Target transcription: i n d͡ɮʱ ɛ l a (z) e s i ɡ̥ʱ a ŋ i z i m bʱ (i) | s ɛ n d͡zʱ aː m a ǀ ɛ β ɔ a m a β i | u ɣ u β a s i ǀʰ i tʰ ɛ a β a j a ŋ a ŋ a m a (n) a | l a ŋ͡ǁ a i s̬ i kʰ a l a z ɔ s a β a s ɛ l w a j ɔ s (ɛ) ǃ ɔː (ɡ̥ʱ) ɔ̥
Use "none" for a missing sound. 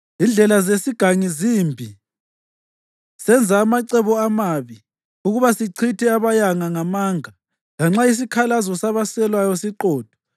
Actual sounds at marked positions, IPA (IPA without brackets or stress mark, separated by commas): z, i, ŋ, i, d̥ʱ